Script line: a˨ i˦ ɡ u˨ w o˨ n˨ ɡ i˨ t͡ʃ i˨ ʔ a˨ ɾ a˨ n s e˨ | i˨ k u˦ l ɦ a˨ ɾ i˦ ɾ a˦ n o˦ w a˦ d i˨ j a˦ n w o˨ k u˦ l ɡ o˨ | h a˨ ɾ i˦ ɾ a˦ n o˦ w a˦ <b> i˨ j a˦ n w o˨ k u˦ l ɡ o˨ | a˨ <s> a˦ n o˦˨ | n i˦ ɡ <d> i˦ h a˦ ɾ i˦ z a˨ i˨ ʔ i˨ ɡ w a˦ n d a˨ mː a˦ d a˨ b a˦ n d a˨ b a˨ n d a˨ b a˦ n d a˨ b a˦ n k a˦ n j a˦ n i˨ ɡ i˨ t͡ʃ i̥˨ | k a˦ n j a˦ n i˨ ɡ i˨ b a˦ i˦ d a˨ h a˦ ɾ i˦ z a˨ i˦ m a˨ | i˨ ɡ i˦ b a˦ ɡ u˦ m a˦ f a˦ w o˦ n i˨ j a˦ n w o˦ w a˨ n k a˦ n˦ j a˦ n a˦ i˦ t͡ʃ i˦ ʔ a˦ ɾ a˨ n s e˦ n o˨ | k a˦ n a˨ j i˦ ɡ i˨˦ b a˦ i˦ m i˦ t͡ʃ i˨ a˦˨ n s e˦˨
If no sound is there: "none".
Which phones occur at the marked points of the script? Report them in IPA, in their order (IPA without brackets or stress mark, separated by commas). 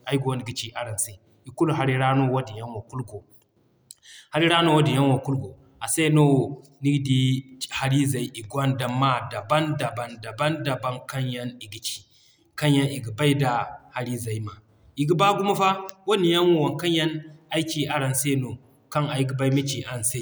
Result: d, s, d